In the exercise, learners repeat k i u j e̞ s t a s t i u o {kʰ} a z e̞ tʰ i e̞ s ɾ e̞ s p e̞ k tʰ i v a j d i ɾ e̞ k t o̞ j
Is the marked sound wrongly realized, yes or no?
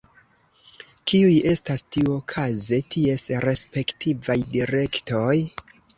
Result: no